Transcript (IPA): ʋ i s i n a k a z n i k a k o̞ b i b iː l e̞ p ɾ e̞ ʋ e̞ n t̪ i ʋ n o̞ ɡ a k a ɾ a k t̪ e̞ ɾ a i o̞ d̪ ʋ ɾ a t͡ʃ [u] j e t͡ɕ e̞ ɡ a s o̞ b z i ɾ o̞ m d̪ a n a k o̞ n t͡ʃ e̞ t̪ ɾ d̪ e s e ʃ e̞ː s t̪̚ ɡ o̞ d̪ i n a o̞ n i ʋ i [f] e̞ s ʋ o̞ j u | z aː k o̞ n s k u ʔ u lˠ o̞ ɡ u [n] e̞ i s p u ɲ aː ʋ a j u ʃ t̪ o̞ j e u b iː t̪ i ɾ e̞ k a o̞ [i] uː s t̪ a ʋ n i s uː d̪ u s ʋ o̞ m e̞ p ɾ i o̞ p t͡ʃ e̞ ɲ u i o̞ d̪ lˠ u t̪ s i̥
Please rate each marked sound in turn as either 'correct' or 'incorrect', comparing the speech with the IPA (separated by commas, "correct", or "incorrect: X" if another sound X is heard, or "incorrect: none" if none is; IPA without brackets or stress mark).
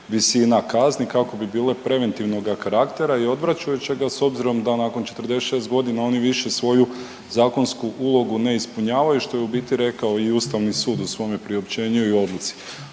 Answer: correct, incorrect: ʃ, correct, correct